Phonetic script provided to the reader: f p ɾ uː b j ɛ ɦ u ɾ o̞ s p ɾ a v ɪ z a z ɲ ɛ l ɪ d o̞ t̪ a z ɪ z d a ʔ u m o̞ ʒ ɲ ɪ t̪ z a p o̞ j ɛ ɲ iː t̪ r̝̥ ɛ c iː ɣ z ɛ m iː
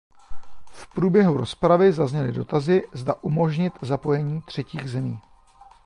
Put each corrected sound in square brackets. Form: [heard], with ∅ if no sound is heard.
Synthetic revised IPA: f p ɾ uː b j ɛ ɦ u ɾ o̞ s p ɾ a v ɪ z a z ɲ ɛ l ɪ d o̞ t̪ a z ɪ z d a ʔ u m o̞ ʒ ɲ ɪ t̪ z a p o̞ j ɛ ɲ iː t̪ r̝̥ ɛ c iː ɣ z ɛ m iː